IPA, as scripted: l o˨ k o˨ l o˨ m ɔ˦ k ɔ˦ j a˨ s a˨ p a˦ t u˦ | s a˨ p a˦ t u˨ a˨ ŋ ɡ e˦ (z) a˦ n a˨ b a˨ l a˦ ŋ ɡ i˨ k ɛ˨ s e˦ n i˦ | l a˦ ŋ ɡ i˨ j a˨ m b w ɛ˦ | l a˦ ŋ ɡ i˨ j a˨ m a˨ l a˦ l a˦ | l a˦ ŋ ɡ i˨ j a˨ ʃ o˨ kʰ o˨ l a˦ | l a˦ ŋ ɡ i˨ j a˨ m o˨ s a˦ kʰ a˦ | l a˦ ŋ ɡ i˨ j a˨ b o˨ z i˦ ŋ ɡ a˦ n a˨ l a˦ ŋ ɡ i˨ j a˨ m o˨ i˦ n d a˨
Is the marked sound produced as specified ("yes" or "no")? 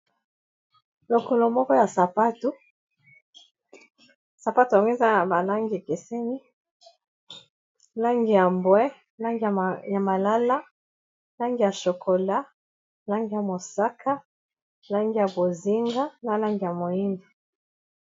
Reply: yes